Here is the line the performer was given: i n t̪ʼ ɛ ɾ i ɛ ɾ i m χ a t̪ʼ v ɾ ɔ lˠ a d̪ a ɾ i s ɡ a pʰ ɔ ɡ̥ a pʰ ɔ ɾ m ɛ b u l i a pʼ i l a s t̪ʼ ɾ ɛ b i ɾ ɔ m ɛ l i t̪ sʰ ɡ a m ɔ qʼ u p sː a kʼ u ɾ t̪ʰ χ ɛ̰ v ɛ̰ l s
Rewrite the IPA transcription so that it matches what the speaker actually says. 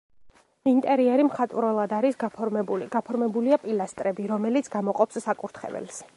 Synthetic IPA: i n t̪ʼ ɛ ɾ i ɛ ɾ i m χ a t̪ʼ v ɾ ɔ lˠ a d̪ a ɾ i s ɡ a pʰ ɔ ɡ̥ a pʰ ɔ ɾ m ɛ b u l i a pʼ i l a s t̪ʼ ɾ ɛ b i ɾ ɔ m ɛ l i t̪ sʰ ɡ a m ɔ qʼ ɔ p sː a kʼ u ɾ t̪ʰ χ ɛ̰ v ɛ̰ l s